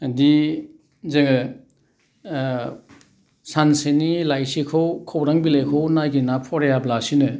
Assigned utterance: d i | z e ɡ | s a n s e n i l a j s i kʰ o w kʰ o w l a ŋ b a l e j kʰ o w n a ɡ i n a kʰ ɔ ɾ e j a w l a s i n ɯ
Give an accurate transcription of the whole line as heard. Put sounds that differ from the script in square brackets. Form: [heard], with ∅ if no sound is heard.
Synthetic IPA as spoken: d i | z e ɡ | s a n s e n i l a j s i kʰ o w kʰ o w [ɾ] a ŋ b [i] l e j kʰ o w n a ɡ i n a [pʰ] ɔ ɾ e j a [b] l a s i n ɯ

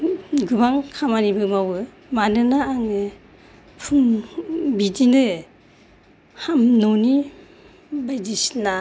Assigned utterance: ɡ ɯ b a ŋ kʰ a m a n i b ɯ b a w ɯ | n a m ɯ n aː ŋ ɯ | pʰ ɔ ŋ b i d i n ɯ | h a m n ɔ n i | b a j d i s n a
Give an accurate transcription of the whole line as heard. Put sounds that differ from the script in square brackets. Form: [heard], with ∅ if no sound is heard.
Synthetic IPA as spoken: ɡ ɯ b a ŋ kʰ a m a n i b ɯ [m] a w ɯ | [m] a [n] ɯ n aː ŋ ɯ | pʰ [u] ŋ b i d i n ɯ | h a m n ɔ n i | b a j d i s n a

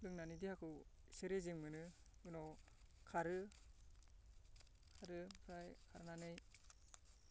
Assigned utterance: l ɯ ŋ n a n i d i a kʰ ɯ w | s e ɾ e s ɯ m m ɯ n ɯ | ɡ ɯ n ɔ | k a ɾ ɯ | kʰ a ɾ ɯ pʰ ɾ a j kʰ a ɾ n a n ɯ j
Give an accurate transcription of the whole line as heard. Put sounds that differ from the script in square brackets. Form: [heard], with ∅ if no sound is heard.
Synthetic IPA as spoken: l ɯ ŋ n a n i d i a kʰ ɯ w | s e ɾ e [z] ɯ [ŋ] m ɯ n ɯ | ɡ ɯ n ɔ | [kʰ] a ɾ ɯ | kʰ a ɾ ɯ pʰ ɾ a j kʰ a ɾ n a n ɯ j

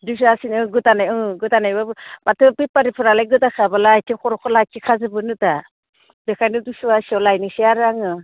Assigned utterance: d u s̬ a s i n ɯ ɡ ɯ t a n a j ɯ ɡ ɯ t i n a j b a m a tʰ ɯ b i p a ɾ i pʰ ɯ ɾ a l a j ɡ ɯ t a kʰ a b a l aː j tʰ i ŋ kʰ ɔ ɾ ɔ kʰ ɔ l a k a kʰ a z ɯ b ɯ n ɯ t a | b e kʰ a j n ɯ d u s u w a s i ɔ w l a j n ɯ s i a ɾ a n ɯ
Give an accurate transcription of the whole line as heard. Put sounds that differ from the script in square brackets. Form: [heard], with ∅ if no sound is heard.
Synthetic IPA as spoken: d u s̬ a s i n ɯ ɡ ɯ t a n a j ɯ ɡ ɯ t [a] n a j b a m a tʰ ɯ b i p a ɾ i pʰ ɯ ɾ a l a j ɡ ɯ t a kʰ a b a l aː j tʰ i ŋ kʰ ɔ ɾ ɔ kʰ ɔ l a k [i] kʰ a z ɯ b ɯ n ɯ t a | b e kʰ a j n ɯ d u s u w a s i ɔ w l a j n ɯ s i a ɾ a [ŋ] ɯ

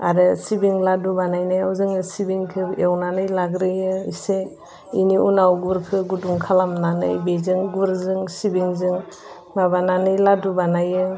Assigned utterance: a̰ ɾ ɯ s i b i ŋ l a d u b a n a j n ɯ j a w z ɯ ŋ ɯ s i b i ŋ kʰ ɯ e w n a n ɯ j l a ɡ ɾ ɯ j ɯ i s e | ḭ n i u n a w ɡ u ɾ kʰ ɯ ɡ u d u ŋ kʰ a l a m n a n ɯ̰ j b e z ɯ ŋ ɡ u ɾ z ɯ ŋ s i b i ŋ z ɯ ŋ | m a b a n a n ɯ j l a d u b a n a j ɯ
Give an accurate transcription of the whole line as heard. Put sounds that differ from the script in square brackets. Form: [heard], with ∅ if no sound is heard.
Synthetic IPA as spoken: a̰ ɾ ɯ s i b i ŋ l a d u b a n a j n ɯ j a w z ɯ ŋ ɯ s i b i ŋ kʰ ɯ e w n a n ɯ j l a ɡ ɾ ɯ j ɯ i s e | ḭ n i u n a w ɡ u ɾ kʰ ɯ ɡ u d u ŋ kʰ a l a m n a n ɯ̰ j b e z ɯ ŋ ɡ u ɾ z ɯ ŋ s i b i ŋ z ɯ ŋ | m a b a n a n ɯ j l a d u b a n a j ɯ

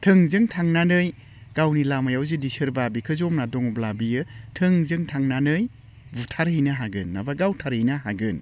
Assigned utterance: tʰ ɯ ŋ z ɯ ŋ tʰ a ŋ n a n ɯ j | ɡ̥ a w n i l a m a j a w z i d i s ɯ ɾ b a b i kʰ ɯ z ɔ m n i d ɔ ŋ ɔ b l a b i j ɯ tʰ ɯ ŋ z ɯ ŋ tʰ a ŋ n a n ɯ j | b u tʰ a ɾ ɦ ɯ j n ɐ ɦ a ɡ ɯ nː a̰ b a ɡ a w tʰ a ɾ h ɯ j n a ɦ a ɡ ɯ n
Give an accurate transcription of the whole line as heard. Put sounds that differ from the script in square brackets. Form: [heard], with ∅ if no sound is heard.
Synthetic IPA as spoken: tʰ ɯ ŋ z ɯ ŋ tʰ a ŋ n a n ɯ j | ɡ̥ a w n i l a m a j a w z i d i s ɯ ɾ b a b i kʰ ɯ z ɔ m n [a] d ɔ ŋ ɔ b l a b i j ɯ tʰ ɯ ŋ z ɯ ŋ tʰ a ŋ n a n ɯ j | b u tʰ a ɾ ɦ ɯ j n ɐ ɦ a ɡ ɯ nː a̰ b a ɡ a w tʰ a ɾ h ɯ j n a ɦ a ɡ ɯ n

